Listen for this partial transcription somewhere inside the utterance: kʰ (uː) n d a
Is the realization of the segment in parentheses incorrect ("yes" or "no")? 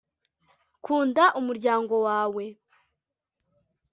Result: no